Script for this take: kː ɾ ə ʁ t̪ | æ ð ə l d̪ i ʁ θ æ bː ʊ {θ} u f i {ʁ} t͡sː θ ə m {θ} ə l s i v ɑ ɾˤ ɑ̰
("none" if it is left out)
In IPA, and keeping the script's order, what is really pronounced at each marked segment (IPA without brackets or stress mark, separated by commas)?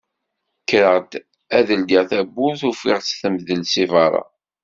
θ, ʁ, ð